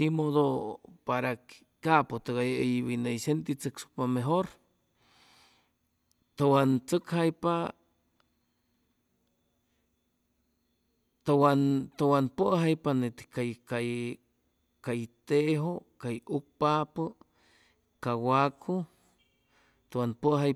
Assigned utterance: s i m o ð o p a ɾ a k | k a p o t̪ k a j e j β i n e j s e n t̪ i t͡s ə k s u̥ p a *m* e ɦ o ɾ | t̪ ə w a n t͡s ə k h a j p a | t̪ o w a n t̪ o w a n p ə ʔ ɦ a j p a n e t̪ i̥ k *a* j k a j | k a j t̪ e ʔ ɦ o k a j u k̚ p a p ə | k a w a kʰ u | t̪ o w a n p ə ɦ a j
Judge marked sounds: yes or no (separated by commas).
yes, yes